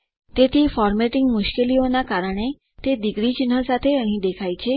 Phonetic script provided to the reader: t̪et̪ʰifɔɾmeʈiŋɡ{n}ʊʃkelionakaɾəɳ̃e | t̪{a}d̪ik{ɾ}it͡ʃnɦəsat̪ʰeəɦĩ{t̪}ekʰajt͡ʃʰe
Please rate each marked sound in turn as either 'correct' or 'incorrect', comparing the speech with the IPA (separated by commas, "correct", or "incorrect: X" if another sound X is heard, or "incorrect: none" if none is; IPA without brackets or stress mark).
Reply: incorrect: m, incorrect: e, correct, incorrect: d̪